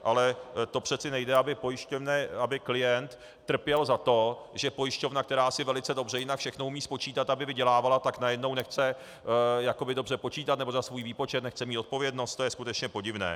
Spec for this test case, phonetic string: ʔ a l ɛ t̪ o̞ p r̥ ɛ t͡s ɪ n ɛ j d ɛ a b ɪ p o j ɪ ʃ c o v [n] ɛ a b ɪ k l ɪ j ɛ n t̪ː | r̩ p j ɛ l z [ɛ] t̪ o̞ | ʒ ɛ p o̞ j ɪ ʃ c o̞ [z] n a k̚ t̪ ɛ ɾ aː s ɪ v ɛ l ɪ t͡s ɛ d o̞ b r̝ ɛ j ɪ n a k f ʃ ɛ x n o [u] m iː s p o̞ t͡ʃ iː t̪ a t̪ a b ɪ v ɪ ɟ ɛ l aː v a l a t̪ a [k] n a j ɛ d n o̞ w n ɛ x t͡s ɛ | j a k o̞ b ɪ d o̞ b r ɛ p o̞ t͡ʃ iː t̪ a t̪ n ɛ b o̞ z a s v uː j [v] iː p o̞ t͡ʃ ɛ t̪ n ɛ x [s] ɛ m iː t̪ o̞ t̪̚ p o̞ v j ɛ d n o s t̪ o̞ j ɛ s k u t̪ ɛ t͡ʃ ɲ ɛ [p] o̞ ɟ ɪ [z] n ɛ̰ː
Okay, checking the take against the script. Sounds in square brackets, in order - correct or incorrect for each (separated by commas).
correct, incorrect, incorrect, correct, correct, correct, incorrect, correct, incorrect